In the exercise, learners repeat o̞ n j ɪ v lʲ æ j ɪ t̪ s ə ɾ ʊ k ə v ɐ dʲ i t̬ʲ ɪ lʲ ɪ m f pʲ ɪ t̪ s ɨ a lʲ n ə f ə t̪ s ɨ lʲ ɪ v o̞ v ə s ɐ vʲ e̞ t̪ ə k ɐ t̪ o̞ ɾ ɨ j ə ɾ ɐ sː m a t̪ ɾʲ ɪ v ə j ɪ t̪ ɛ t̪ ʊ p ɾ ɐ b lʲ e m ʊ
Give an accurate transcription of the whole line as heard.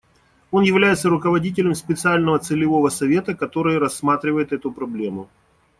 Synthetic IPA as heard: o̞ n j ɪ v lʲ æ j ɪ t̪ s ə ɾ ʊ k ə v ɐ dʲ i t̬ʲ ɪ lʲ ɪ m s pʲ ɪ t̪ s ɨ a lʲ n ə v ə t̪ s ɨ lʲ ɪ v o̞ v ə s ɐ vʲ e̞ t̪ ə k ɐ t̪ o̞ ɾ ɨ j ə ɾ ɐ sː m a t̪ ɾʲ ɪ v ə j ɪ t̪ ɛ t̪ ʊ p ɾ ɐ b lʲ e m ʊ